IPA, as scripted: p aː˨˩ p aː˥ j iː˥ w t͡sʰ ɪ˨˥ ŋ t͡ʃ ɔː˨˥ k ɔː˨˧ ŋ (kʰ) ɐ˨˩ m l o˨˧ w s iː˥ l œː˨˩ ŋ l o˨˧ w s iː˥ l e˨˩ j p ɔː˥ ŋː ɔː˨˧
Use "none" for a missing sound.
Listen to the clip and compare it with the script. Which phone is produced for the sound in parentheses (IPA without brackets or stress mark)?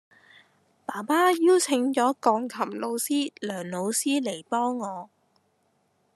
kʰ